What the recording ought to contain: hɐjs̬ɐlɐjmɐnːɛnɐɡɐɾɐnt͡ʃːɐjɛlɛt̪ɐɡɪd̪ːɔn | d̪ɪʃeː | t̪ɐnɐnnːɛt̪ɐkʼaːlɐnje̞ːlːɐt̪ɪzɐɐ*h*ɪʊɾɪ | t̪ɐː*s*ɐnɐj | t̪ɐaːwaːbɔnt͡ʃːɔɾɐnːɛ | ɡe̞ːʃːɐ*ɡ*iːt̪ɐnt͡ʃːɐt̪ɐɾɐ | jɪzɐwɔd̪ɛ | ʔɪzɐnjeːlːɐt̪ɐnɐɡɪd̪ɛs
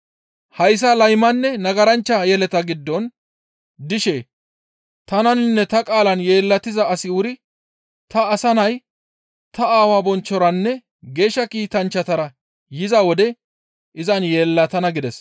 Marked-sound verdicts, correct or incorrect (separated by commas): incorrect, correct, incorrect